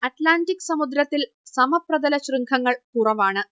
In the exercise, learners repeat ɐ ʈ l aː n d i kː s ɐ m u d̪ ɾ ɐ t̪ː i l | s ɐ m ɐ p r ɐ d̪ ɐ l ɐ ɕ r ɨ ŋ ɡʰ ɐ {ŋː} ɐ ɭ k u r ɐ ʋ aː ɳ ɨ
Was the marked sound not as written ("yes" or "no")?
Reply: no